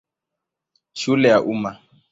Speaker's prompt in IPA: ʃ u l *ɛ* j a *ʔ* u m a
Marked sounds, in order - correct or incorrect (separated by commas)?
correct, correct